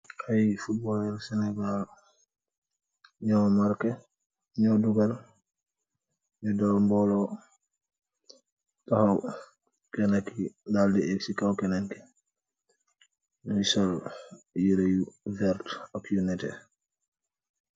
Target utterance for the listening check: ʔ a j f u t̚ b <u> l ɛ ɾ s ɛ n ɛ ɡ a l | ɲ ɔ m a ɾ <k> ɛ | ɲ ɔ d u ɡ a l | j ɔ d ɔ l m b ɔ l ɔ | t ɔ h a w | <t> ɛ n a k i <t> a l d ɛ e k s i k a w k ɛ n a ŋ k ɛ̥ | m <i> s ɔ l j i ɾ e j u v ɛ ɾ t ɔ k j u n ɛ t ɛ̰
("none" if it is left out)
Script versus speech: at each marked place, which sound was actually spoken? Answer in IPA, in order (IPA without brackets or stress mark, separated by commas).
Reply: ɔ, k, k, d, i